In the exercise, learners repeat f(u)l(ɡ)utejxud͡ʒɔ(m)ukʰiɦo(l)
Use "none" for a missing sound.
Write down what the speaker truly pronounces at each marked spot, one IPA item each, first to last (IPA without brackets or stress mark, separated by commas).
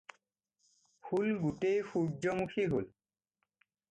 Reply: u, ɡ, m, l